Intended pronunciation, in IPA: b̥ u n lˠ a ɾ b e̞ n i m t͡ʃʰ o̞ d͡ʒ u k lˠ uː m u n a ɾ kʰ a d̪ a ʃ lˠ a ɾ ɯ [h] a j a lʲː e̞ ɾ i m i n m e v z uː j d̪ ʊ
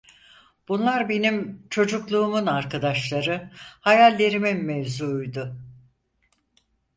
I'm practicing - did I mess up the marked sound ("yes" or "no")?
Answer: no